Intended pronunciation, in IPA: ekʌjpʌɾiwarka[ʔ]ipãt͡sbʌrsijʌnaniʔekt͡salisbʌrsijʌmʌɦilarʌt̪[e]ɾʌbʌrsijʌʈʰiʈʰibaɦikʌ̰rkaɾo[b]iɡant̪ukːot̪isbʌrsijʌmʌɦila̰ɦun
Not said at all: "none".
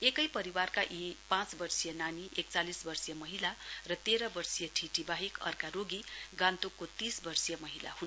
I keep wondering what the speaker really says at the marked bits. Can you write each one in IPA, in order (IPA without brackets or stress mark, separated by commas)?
ʔ, e, ɡ